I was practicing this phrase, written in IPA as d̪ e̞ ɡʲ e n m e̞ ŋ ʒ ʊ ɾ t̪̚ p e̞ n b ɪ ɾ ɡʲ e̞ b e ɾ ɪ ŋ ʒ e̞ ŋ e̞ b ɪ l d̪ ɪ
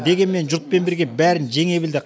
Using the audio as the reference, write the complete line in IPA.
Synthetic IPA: d̪ e̞ ɡʲ e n m e̞ n ʒ ʊ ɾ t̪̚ p e̞ n b ɪ ɾ ɡʲ e̞ b æ ɾ ɪ n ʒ e̞ ŋ e̞ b ɪ l d̪ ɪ